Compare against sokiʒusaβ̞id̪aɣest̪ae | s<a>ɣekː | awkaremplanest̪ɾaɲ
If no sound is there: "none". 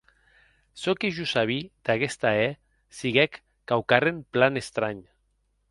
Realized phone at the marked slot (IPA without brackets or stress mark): i